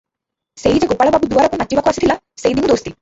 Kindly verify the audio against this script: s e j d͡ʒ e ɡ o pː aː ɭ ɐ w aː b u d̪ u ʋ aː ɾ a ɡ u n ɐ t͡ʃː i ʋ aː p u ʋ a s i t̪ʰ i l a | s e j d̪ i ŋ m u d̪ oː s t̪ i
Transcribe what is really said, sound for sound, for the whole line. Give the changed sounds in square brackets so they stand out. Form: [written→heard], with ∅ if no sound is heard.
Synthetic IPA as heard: s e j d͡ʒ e ɡ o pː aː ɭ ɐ [w→b] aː b u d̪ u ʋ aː ɾ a [ɡ→k] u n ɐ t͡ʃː i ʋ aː [p→k] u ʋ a s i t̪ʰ i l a | s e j d̪ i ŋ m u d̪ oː s t̪ i